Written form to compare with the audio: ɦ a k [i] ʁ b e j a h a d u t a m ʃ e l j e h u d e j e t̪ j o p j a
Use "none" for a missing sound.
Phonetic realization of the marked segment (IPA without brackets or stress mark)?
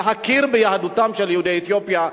i